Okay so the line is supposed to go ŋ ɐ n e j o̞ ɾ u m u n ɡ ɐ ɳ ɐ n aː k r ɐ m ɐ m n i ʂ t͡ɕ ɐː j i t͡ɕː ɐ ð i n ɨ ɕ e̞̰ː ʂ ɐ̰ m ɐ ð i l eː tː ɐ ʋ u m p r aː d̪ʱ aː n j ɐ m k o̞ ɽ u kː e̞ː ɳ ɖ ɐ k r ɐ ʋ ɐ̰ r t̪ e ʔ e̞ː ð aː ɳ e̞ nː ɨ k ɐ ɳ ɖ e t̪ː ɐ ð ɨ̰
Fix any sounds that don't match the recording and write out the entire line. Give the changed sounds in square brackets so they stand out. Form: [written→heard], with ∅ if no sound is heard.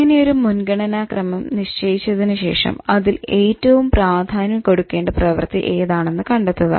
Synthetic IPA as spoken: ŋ ɐ n e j o̞ ɾ u m u n ɡ ɐ ɳ ɐ n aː k r ɐ m ɐ m n i ʂ t͡ɕ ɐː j i t͡ɕː ɐ ð i n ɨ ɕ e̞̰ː ʂ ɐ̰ m ɐ ð i l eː tː ɐ ʋ u m p r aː d̪ʱ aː n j ɐ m k o̞ ɽ u kː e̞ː ɳ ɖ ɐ [k→p] r ɐ ʋ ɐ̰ r t̪ [e→i] ʔ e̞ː ð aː ɳ e̞ nː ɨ k ɐ ɳ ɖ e t̪ː ɐ ð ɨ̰